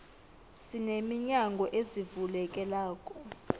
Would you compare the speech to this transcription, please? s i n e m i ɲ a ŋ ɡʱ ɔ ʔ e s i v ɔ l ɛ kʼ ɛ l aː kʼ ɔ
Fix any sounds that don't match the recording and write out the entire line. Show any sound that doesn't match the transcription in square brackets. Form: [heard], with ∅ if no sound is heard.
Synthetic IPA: s i n e m i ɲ a ŋ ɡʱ ɔ ʔ e [z] i v [u] l ɛ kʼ ɛ l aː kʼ ɔ